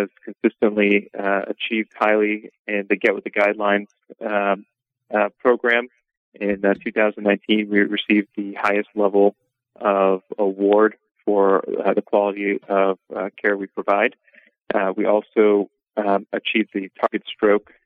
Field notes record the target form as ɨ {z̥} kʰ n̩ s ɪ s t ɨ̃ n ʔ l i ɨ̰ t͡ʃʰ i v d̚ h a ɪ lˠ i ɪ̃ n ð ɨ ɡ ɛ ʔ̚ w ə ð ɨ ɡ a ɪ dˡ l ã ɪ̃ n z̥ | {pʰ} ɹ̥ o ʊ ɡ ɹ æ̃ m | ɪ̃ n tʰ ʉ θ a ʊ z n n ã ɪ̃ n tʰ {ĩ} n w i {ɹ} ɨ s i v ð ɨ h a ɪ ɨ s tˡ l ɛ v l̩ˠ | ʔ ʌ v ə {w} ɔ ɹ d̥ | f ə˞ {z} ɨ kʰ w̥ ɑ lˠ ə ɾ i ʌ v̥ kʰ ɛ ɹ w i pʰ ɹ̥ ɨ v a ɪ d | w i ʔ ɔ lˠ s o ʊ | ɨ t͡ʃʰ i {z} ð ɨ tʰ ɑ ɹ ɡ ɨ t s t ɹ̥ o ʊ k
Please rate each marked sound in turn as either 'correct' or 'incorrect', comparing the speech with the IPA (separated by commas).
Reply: correct, correct, correct, correct, correct, incorrect, incorrect